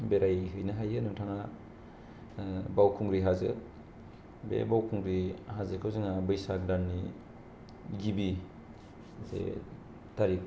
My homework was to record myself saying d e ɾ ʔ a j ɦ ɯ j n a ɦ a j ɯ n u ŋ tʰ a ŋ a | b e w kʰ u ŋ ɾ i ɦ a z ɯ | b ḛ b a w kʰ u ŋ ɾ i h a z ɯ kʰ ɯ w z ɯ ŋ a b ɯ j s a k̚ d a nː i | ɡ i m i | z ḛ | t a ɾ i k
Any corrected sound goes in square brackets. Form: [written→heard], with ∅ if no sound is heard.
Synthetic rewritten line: [d→b] e ɾ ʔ a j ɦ ɯ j n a ɦ a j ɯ n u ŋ tʰ a ŋ a | b [e→a] w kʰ u ŋ ɾ i ɦ a z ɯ | b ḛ b a w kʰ u ŋ ɾ i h a z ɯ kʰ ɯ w z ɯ ŋ a b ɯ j s a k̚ d a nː i | ɡ i [m→b] i | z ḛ | t a ɾ i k